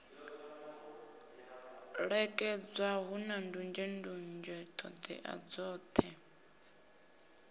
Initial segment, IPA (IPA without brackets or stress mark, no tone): ɺ